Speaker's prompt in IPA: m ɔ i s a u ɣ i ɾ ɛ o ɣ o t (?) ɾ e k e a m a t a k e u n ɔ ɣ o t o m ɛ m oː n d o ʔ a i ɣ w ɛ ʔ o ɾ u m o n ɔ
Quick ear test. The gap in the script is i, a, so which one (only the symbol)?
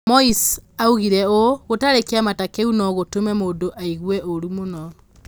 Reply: a